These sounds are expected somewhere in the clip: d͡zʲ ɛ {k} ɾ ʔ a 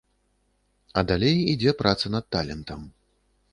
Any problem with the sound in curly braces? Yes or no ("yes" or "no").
yes